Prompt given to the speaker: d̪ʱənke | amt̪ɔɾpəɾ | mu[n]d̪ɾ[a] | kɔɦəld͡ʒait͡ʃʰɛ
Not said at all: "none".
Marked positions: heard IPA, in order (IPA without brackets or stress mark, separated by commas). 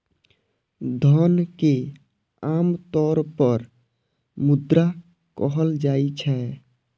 none, a